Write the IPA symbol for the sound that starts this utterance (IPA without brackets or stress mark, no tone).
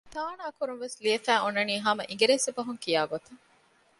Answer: t̪